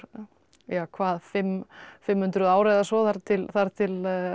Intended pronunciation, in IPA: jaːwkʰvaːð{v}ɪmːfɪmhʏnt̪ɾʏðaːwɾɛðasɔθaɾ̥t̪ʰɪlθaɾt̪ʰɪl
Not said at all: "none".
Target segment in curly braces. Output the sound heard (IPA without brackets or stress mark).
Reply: f